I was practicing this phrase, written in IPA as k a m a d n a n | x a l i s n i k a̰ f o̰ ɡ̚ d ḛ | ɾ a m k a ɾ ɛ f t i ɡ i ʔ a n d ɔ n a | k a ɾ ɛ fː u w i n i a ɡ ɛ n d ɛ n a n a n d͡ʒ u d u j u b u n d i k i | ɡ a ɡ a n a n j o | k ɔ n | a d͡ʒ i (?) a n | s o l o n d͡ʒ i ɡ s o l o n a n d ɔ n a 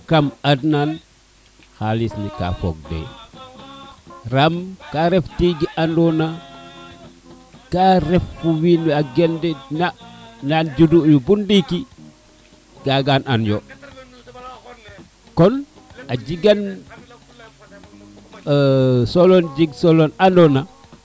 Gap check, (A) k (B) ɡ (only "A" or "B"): B